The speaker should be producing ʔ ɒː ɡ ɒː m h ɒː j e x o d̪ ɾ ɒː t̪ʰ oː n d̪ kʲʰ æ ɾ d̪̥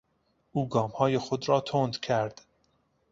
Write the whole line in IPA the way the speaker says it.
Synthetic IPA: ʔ uː ɡ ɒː m h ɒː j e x o d̪ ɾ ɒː t̪ʰ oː n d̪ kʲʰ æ ɾ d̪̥